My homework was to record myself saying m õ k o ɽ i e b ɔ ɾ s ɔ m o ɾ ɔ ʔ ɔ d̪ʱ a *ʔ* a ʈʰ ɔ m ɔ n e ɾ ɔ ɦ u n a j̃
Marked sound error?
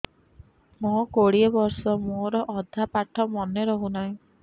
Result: yes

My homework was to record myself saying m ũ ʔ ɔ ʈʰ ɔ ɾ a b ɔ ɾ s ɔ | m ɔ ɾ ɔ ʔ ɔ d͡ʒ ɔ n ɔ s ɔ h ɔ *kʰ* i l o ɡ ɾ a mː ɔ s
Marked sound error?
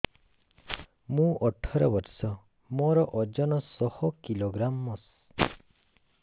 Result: yes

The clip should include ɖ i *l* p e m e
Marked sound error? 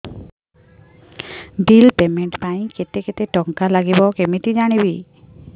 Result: no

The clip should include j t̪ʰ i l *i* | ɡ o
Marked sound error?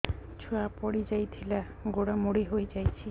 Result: yes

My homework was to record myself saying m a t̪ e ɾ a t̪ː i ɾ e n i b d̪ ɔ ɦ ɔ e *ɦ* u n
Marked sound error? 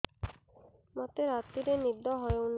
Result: yes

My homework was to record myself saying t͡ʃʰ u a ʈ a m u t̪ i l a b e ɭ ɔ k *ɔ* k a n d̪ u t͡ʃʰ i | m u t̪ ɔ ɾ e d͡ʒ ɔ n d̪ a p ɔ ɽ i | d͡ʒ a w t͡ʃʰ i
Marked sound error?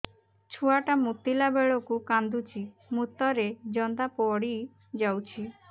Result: yes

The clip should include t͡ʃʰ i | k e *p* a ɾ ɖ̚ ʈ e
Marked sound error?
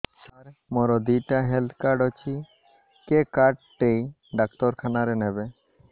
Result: yes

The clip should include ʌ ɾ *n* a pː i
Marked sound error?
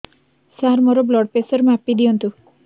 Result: yes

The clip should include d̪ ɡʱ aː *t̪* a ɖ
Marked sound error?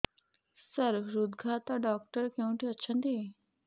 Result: no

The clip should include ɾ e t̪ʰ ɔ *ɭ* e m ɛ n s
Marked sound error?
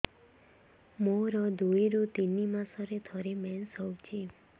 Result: yes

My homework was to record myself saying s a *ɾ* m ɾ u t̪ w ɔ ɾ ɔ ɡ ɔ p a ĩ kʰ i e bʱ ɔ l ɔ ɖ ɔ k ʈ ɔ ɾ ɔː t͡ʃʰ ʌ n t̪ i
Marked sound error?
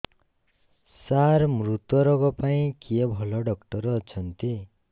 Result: no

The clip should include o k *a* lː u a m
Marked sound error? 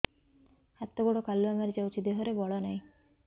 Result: no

